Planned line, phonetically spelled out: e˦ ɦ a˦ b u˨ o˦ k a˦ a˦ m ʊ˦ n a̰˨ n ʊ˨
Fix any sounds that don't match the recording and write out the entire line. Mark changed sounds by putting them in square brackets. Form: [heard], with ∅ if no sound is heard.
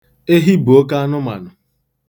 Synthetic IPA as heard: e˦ ɦ [i˦] b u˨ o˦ k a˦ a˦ [n] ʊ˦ [m] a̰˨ n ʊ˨